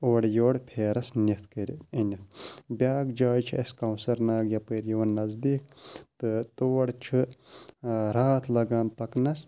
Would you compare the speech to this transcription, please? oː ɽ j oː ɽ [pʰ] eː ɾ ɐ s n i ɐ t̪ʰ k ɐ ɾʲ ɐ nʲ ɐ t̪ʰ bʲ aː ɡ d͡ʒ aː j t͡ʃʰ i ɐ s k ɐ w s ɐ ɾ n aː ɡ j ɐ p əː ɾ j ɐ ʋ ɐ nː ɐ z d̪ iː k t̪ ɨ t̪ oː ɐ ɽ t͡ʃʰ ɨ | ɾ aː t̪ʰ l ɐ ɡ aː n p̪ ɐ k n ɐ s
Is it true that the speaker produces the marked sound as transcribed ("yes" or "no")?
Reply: yes